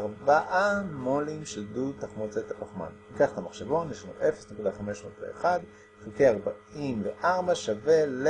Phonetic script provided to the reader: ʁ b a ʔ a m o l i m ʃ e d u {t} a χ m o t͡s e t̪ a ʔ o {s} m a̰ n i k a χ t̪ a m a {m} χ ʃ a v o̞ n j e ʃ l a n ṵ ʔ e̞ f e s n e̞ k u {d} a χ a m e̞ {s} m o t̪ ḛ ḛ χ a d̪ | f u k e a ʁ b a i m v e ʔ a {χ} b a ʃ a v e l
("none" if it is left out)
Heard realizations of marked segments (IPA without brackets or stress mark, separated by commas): t, χ, none, d, ʃ, ʁ